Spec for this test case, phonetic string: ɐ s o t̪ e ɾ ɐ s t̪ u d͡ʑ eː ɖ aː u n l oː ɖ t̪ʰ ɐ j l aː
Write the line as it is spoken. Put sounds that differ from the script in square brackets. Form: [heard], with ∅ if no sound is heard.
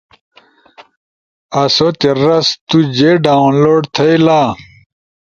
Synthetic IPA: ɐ s o t̪ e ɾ ɐ s t̪ u d͡ʑ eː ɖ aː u n l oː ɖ t̪ʰ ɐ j l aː